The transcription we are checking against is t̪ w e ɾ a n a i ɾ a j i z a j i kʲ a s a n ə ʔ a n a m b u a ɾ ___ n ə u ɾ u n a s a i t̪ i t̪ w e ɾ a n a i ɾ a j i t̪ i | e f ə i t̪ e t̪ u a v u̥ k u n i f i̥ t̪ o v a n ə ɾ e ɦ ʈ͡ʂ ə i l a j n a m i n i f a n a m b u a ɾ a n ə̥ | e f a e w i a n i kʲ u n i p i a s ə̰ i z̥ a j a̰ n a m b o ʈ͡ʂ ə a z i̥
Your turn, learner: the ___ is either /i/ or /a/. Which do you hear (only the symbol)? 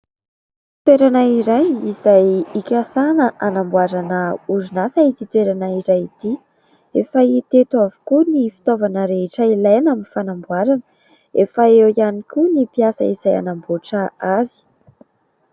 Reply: a